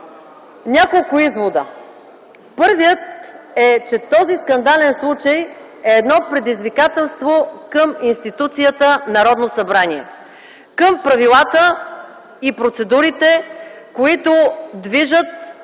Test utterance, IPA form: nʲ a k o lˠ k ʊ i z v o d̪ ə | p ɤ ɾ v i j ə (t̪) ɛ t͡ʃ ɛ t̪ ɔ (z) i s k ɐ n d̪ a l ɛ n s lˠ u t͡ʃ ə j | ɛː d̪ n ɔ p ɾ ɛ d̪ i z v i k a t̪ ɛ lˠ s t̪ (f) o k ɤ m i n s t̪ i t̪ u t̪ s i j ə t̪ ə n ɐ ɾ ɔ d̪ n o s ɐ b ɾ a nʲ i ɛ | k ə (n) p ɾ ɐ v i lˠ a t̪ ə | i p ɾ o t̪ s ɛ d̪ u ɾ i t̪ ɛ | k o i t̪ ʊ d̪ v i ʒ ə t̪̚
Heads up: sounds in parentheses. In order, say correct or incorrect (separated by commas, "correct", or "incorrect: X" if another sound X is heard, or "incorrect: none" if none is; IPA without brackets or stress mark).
correct, correct, incorrect: v, incorrect: m